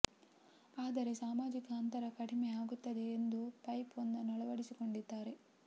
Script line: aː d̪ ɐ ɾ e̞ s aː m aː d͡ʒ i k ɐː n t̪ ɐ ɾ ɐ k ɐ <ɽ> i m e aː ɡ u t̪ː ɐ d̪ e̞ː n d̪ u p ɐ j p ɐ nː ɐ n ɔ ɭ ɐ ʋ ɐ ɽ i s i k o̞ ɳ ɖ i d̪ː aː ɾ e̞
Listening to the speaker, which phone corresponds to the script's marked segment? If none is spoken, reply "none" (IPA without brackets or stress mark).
ɽ